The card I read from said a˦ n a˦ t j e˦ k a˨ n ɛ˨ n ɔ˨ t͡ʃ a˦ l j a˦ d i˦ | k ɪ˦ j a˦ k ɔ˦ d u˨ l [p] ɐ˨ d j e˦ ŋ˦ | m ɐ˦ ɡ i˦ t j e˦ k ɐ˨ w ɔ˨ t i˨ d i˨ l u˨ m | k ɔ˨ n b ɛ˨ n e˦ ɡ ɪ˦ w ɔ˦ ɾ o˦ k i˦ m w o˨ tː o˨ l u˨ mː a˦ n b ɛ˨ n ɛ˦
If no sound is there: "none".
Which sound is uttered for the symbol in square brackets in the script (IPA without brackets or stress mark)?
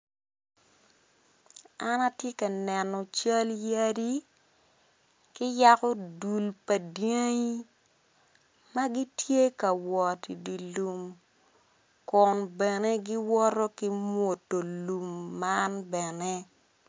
p